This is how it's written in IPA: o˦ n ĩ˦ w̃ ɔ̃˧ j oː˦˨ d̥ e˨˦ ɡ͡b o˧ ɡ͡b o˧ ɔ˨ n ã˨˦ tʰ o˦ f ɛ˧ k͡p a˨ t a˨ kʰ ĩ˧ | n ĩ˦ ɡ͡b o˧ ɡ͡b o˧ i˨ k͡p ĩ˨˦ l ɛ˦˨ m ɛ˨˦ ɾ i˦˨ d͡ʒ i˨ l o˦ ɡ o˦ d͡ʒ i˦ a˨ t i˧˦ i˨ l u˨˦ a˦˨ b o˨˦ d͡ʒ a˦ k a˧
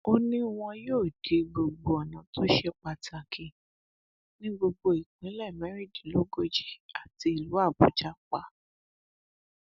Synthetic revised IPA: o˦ n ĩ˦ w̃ ɔ̃˧ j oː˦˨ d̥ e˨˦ ɡ͡b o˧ ɡ͡b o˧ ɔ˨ n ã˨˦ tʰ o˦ ʃ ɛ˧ k͡p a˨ t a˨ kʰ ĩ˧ | n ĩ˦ ɡ͡b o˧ ɡ͡b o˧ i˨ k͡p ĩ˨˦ l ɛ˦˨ m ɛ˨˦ ɾ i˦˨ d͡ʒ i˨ l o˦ ɡ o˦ d͡ʒ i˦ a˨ t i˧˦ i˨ l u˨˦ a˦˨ b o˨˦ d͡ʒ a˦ k͡p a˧